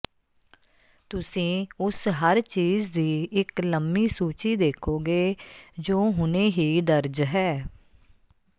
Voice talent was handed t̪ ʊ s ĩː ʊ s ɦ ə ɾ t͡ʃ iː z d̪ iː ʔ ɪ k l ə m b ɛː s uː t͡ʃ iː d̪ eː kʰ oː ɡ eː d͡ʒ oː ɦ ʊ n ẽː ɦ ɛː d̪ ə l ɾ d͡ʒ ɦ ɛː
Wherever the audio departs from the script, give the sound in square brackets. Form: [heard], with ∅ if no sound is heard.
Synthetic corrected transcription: t̪ ʊ s ĩː ʊ s ɦ ə ɾ t͡ʃ iː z d̪ iː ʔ ɪ k l ə m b [iː] s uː t͡ʃ iː d̪ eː kʰ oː ɡ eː d͡ʒ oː ɦ ʊ n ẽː ɦ [iː] d̪ ə [∅] ɾ d͡ʒ ɦ ɛː